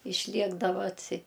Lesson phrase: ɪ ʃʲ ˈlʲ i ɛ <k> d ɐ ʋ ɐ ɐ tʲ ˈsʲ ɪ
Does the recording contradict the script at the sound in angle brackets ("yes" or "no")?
yes